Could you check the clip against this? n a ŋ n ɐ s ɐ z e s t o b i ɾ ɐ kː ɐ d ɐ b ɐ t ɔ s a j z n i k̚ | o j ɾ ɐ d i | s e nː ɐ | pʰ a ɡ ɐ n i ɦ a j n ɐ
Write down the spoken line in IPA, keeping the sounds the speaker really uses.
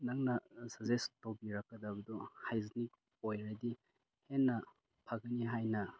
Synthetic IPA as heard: n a ŋ n ɐ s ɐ z e s t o b i ɾ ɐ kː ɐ d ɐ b ɐ d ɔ h a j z n i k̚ | o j ɾ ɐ d i | h e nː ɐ | pʰ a ɡ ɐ n i ɦ a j n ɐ